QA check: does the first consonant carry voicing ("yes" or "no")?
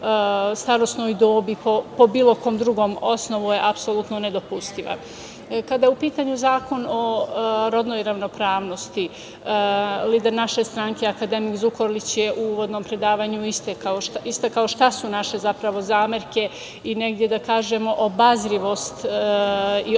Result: no